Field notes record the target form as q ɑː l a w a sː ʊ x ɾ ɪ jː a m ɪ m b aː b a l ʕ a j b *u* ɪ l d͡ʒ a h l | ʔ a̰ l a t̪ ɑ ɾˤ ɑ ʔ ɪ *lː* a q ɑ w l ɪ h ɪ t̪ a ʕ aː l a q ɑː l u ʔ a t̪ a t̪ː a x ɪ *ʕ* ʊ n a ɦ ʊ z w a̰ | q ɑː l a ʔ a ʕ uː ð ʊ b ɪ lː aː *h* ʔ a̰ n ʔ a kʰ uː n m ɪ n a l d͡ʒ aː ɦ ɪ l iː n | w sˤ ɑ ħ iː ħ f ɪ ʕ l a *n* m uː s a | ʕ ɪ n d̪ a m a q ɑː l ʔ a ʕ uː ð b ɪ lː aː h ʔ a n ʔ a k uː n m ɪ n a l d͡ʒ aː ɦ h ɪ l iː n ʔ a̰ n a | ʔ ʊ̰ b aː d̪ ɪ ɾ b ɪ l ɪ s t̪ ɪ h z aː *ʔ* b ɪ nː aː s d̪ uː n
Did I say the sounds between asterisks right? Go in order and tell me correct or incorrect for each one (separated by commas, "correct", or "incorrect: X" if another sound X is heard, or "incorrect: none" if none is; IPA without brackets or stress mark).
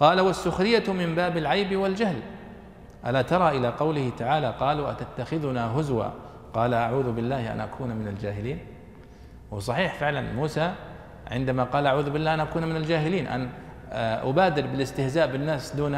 incorrect: w, incorrect: l, incorrect: ð, correct, correct, correct